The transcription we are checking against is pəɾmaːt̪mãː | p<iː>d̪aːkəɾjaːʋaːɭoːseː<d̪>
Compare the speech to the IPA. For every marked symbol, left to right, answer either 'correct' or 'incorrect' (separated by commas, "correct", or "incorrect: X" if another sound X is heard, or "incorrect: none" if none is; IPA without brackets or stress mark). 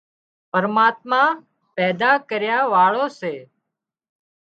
incorrect: ɛː, incorrect: none